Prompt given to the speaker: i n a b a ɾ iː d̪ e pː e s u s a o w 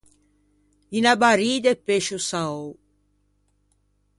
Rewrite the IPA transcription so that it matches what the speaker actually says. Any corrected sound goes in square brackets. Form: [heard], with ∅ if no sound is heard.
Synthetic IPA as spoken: i n a b a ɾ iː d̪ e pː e [ʃ] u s a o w